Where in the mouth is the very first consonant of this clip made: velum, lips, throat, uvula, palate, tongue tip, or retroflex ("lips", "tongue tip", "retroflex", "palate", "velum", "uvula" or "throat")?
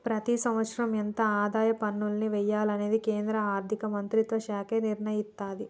lips